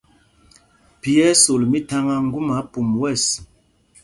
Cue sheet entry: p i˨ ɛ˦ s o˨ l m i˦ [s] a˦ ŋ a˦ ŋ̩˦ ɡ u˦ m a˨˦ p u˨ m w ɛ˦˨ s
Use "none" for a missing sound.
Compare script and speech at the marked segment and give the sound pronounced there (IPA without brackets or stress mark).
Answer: t